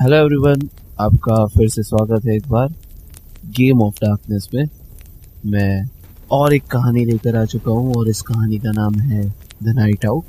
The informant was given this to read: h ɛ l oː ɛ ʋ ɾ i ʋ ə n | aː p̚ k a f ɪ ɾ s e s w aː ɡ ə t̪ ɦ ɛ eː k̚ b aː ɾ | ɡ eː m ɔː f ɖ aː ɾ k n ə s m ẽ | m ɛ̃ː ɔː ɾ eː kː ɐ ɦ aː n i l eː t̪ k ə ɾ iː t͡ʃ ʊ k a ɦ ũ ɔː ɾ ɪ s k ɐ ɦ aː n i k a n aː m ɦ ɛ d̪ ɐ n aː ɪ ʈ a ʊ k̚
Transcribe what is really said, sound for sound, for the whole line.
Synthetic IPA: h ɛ l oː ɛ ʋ ɾ i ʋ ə n | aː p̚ k a f ɪ ɾ s e s w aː ɡ ə t̪ ɦ ɛ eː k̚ b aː ɾ | ɡ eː m ɔː f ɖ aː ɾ k n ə s m ẽ | m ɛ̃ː ɔː ɾ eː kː ɐ ɦ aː n i l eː k ə ɾ aː t͡ʃ ʊ k a ɦ ũ ɔː ɾ ɪ s k ɐ ɦ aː n i k a n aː m ɦ ɛ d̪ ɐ n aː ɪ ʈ a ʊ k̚